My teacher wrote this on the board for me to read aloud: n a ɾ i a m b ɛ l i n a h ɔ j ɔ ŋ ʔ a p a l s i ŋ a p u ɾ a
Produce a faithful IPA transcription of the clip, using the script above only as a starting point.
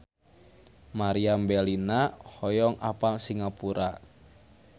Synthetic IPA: m a ɾ i a m b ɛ l i n a h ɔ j ɔ ŋ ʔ a p a l s i ŋ a p u ɾ a